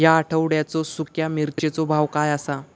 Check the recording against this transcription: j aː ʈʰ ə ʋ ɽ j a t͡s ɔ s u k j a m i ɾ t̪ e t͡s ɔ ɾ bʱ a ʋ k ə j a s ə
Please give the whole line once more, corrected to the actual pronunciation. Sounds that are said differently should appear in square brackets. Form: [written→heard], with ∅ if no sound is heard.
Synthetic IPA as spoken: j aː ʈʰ ə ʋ ɽ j a t͡s ɔ s u k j a m i ɾ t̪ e t͡s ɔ [ɾ→∅] bʱ a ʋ k [ə→a] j a s [ə→a]